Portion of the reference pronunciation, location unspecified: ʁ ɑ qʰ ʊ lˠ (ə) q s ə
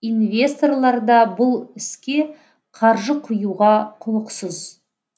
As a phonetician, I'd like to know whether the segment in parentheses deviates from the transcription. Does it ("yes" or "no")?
no